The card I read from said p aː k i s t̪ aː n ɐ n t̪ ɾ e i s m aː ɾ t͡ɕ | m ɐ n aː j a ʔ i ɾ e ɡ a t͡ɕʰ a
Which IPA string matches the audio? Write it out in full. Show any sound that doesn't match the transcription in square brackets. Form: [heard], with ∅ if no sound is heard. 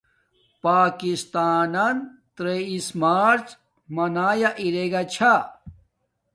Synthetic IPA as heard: p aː k i s t̪ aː n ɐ n t̪ ɾ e i s m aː ɾ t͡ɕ | m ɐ n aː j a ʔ i ɾ e ɡ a t͡ɕʰ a